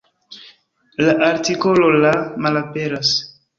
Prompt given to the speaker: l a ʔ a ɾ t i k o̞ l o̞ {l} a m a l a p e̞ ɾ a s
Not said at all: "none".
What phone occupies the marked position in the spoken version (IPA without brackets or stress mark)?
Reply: l